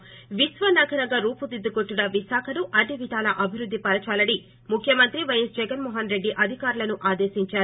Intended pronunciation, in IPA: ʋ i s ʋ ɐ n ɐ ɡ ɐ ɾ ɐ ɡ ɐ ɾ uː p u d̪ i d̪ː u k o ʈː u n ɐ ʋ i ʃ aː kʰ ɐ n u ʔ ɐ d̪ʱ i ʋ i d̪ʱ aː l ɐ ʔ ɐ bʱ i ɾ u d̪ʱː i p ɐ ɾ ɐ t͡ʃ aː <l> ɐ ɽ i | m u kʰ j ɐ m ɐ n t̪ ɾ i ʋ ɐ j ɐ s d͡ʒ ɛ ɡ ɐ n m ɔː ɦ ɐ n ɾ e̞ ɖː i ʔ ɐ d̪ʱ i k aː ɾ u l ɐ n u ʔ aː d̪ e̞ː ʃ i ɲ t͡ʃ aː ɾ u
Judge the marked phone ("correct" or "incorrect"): correct